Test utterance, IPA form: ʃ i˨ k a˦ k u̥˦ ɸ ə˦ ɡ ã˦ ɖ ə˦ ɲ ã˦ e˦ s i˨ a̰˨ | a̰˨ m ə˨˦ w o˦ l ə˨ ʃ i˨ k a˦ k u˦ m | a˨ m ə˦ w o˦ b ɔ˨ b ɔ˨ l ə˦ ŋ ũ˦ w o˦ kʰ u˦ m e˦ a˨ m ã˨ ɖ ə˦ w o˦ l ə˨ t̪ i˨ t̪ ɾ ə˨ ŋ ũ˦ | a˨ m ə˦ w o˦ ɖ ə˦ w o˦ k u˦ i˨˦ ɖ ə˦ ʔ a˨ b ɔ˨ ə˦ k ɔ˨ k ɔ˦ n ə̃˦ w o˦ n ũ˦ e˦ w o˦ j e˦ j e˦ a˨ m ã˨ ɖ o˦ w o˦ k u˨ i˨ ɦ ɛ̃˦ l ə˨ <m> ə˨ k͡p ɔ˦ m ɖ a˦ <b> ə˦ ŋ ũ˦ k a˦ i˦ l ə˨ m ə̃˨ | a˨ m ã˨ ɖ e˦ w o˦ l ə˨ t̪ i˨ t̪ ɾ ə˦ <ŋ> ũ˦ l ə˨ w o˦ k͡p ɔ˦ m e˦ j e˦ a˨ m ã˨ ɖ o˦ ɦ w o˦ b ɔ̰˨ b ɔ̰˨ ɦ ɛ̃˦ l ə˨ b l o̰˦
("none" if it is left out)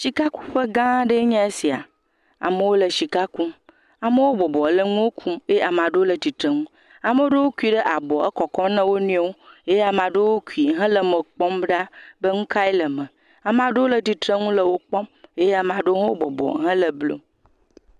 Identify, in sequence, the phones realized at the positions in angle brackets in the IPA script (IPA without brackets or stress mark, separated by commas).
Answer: m, b, ŋ